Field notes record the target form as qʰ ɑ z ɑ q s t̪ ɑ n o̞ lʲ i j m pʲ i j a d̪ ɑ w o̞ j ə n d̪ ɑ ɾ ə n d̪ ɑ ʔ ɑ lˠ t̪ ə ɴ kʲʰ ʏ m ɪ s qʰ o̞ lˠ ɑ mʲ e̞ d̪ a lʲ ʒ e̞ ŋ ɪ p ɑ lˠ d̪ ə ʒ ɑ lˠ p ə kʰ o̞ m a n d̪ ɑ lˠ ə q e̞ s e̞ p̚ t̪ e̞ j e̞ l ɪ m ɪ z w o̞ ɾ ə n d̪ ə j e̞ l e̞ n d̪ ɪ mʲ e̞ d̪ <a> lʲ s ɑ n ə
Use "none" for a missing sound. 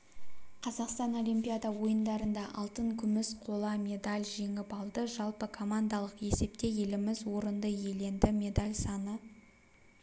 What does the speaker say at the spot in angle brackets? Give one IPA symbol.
a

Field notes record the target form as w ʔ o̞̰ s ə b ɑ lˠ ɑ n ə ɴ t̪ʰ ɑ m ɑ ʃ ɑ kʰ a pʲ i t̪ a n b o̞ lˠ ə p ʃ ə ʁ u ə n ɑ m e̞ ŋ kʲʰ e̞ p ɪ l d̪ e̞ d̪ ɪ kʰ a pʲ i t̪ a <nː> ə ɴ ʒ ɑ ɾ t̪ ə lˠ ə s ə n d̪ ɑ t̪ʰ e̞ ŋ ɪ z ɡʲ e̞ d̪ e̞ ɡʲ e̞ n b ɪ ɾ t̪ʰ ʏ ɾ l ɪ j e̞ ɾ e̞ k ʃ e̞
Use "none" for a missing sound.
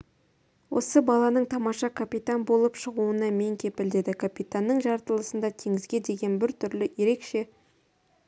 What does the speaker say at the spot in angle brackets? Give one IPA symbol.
nː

